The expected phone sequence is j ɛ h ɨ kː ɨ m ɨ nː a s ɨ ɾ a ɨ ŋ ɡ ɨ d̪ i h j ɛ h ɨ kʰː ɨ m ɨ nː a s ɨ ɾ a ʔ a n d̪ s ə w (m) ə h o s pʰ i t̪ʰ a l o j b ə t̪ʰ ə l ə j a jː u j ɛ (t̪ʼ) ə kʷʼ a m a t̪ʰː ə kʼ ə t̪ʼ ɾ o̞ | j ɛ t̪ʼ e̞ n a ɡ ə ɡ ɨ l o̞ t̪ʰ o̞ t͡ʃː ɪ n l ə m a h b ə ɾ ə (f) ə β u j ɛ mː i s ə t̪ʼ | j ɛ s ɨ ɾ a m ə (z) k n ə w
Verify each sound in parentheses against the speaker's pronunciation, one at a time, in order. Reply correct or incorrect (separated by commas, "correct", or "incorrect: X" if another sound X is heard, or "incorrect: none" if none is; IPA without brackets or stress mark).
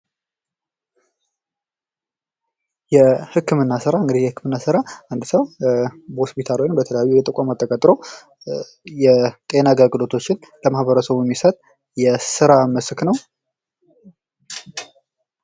incorrect: b, correct, incorrect: s, incorrect: s